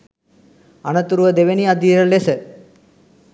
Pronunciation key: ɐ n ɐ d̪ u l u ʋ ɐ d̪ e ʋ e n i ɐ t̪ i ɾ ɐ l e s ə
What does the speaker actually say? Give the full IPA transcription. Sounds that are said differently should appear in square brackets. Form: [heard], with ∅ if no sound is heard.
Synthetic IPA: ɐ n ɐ [t̪] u [ɾ] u ʋ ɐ d̪ e ʋ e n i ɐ [d̪] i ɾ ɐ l e s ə